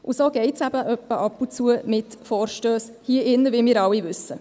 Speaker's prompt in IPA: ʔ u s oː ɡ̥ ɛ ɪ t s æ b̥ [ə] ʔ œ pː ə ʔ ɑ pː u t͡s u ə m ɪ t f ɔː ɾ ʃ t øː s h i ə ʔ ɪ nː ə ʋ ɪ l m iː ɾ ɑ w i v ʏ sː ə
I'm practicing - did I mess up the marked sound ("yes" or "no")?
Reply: no